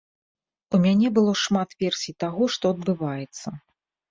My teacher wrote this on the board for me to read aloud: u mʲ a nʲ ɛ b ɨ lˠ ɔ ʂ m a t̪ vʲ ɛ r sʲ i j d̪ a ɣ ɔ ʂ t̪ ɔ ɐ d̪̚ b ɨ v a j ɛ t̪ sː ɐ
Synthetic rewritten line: u mʲ a nʲ ɛ b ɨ lˠ ɔ ʂ m a t̪ vʲ ɛ r sʲ i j t̪ a ɣ ɔ ʂ t̪ ɔ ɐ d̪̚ b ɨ v a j ɛ t̪ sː ɐ